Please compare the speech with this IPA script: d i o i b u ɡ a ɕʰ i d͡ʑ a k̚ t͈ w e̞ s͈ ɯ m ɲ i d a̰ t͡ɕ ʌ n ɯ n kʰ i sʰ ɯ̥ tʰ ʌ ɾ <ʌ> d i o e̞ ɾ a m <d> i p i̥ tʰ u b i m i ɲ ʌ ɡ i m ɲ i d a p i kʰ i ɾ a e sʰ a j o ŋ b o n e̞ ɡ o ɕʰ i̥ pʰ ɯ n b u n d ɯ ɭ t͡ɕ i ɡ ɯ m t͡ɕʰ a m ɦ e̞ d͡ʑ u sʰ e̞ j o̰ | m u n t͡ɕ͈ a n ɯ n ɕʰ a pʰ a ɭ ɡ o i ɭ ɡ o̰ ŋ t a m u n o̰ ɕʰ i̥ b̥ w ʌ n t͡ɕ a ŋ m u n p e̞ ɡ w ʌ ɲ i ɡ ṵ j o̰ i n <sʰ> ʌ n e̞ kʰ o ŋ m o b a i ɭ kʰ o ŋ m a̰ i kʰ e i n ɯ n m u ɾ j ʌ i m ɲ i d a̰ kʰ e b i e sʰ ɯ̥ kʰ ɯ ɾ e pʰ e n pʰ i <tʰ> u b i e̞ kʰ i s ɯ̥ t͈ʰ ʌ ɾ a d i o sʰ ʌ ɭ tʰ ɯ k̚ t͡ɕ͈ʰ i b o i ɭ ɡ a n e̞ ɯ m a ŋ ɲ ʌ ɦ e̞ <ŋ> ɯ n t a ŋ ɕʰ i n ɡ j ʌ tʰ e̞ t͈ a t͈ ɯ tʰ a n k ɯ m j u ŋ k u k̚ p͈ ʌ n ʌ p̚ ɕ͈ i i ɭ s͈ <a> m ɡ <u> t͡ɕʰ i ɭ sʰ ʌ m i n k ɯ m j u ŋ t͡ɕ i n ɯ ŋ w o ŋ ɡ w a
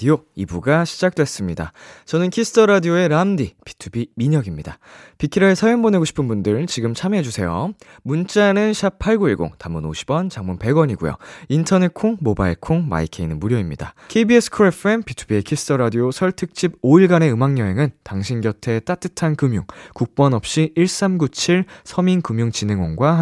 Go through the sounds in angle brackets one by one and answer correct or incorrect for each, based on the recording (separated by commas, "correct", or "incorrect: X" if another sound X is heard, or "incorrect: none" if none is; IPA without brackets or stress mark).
incorrect: a, correct, incorrect: tʰ, correct, correct, correct, correct